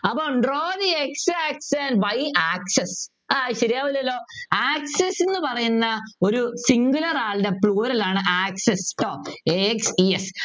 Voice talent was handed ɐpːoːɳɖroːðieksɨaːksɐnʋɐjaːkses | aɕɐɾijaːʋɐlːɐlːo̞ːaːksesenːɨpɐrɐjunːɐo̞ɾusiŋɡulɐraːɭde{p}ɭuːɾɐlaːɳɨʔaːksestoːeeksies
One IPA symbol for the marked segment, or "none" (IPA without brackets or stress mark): p